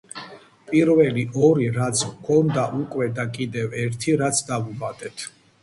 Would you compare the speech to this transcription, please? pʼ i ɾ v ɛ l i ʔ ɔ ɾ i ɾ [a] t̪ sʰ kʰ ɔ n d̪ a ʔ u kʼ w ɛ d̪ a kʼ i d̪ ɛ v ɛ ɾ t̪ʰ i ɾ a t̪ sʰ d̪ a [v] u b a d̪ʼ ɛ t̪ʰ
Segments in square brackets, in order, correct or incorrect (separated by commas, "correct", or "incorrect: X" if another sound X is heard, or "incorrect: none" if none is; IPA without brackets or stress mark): correct, correct